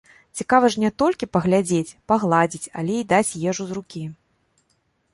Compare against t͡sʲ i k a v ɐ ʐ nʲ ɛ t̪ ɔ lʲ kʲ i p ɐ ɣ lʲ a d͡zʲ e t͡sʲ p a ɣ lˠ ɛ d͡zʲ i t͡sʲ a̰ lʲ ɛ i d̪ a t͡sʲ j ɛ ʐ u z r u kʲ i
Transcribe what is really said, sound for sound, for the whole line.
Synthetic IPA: t͡sʲ i k a v ɐ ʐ nʲ ɛ t̪ ɔ lʲ kʲ i p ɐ ɣ lʲ a d͡zʲ e t͡sʲ p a ɣ lˠ a d͡zʲ i t͡sʲ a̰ lʲ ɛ i d̪ a t͡sʲ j ɛ ʐ u z r u kʲ i